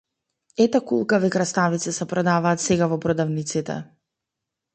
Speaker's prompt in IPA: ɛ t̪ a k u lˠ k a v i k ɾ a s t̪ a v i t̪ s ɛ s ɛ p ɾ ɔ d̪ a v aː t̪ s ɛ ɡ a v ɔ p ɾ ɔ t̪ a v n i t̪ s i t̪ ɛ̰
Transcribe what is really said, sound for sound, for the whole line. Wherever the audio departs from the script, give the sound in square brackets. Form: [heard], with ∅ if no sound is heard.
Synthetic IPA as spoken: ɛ t̪ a k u lˠ k a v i k ɾ a s t̪ a v i t̪ s ɛ s ɛ p ɾ ɔ d̪ a v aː t̪ s ɛ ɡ a v ɔ p ɾ ɔ [d̪] a v n i t̪ s i t̪ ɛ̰